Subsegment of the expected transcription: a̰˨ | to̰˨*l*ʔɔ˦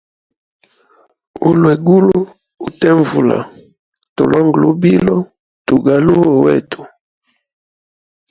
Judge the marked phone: correct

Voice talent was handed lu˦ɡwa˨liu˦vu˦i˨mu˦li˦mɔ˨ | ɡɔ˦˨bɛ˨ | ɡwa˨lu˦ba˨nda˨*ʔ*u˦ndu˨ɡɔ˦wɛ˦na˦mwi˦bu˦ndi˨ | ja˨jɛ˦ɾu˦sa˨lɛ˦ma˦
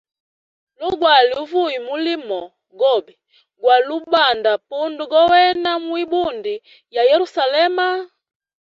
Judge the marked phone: incorrect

